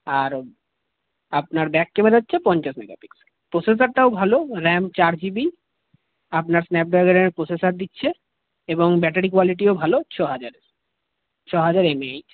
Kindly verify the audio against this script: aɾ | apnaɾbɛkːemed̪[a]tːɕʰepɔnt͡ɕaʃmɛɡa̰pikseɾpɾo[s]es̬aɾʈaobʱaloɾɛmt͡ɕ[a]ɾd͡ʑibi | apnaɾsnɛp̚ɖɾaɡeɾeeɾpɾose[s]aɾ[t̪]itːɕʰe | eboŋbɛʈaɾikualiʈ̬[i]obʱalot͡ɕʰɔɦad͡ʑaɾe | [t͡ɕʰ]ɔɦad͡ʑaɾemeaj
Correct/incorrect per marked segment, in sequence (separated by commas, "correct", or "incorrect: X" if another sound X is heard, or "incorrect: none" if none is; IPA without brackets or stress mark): correct, correct, correct, correct, incorrect: d̪, correct, correct